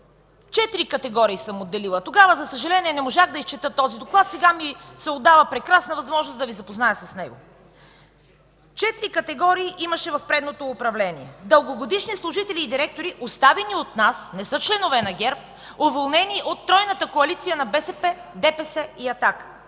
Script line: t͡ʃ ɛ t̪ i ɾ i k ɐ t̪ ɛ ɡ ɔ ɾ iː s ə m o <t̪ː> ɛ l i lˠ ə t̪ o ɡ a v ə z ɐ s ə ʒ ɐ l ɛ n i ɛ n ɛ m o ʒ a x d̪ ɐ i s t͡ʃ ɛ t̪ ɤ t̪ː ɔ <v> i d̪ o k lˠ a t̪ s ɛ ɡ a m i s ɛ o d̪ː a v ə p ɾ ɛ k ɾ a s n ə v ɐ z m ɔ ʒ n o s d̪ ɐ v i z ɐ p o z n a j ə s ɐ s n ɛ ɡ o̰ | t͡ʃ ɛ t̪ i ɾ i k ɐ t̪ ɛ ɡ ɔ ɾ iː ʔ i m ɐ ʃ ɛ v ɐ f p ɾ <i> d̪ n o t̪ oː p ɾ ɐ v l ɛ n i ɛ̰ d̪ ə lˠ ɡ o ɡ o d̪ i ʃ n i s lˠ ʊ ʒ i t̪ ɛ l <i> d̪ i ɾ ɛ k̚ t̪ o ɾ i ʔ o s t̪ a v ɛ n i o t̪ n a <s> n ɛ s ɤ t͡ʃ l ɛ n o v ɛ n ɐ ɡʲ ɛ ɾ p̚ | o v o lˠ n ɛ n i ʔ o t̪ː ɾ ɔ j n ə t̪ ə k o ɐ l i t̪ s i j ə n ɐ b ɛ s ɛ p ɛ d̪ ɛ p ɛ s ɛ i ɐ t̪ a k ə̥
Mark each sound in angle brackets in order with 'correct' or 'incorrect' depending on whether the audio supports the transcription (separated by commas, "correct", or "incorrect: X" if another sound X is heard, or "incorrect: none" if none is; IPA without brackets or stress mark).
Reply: incorrect: d̪ː, incorrect: z, incorrect: ɛ, incorrect: iː, correct